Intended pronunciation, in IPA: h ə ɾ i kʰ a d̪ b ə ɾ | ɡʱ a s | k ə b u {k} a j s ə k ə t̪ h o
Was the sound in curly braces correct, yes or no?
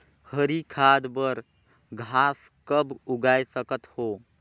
no